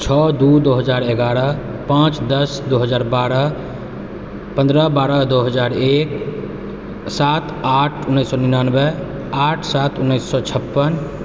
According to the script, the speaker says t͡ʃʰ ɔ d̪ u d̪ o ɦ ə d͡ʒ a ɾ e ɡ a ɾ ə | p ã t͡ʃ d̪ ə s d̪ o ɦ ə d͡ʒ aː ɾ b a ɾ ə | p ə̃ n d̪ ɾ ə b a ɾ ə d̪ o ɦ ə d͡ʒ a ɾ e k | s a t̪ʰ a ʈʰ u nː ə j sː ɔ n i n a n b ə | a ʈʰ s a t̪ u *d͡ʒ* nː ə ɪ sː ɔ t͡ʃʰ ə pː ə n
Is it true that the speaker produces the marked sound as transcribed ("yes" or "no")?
no